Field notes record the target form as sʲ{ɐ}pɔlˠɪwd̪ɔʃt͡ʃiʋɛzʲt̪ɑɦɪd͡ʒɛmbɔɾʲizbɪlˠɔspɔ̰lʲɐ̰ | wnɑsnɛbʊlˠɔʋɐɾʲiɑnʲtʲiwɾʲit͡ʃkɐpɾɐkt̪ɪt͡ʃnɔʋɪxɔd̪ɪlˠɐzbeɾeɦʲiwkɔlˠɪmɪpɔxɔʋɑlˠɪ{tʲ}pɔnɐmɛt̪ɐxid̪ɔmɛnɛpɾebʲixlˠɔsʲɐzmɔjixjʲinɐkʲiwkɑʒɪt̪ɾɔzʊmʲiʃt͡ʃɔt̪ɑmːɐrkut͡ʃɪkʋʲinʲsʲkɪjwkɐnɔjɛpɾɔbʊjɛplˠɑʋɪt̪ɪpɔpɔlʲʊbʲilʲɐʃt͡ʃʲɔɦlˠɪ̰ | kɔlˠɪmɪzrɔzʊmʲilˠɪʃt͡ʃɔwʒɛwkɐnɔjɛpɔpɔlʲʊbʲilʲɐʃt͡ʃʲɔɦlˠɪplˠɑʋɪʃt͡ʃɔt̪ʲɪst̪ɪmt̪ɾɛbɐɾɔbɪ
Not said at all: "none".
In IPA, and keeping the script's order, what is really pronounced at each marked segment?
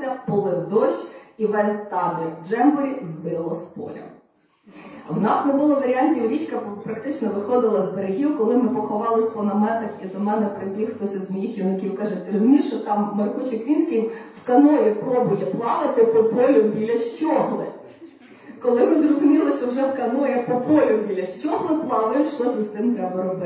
ɐ, sʲ

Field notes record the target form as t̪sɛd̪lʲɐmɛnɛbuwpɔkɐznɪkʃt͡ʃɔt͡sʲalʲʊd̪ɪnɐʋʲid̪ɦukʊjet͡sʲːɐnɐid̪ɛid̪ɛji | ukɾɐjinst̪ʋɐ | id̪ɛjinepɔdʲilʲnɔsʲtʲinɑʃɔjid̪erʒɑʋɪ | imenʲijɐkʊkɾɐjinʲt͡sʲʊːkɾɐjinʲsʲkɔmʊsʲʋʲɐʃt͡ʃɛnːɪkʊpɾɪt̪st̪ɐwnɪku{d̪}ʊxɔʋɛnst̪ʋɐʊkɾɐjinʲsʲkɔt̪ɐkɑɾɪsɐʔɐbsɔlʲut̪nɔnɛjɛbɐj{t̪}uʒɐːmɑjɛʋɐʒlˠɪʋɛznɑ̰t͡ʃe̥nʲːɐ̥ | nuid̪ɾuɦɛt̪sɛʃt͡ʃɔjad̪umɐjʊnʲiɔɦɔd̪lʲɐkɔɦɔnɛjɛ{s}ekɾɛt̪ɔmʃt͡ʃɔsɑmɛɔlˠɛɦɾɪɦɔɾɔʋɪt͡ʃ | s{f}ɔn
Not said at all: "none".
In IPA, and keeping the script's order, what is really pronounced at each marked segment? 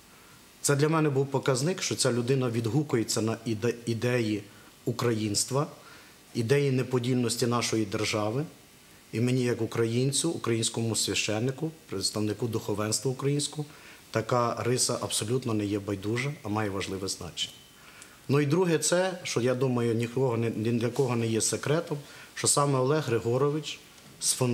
d̪, d̪, s, f

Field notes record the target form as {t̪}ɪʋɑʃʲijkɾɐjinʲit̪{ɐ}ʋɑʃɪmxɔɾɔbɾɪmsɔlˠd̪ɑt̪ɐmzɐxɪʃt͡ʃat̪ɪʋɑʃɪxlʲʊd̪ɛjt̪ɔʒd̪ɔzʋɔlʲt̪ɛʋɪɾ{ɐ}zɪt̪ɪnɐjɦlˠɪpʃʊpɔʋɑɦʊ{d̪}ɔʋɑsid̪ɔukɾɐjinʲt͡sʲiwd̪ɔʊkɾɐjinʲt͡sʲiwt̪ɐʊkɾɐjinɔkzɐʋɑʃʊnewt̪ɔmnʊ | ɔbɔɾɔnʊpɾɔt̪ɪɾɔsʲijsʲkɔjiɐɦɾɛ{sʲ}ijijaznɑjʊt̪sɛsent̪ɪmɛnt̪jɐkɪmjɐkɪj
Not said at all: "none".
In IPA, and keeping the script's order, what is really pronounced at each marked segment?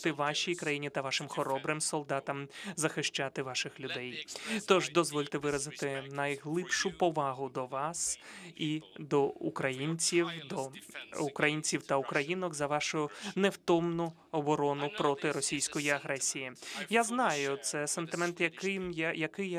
t̪, ɐ, ɐ, d̪, sʲ

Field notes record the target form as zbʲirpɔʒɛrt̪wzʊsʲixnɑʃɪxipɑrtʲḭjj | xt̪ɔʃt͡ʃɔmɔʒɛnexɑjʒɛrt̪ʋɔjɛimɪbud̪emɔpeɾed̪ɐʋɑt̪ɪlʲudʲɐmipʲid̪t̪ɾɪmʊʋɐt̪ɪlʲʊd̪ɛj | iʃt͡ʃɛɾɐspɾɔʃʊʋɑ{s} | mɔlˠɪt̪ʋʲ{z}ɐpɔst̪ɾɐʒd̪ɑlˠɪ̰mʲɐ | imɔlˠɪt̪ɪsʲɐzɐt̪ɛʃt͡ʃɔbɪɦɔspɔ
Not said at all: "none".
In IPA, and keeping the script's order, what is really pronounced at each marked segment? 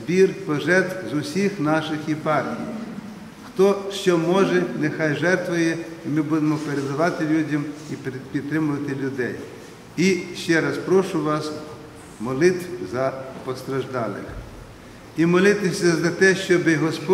s, z

